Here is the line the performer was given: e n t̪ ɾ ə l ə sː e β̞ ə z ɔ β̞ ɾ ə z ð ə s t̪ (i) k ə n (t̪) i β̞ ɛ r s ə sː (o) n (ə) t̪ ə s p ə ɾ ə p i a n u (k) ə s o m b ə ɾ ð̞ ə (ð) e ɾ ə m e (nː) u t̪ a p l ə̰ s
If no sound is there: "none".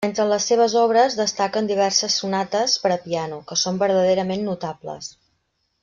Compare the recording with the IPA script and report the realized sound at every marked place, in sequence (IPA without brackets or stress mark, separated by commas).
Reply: a, d̪, u, a, k, ð, nː